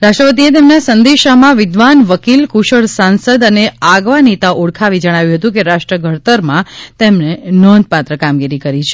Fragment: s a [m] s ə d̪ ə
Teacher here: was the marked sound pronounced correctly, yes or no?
no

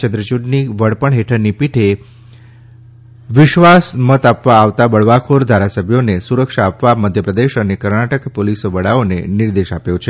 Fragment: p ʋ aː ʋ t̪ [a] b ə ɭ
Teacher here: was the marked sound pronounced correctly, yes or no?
yes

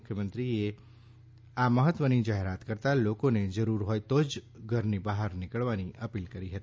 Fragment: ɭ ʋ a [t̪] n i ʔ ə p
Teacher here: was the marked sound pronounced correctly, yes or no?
no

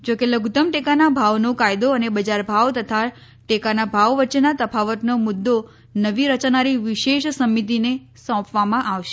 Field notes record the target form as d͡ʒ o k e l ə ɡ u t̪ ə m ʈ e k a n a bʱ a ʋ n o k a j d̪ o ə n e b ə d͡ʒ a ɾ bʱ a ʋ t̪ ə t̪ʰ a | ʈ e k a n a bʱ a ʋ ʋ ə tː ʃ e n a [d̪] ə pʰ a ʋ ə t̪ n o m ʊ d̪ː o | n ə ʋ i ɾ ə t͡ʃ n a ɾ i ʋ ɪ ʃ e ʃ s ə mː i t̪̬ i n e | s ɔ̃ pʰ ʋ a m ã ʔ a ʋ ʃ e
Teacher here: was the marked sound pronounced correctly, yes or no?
no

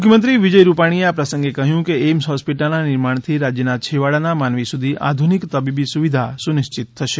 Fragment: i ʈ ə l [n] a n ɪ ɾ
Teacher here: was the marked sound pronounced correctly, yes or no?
yes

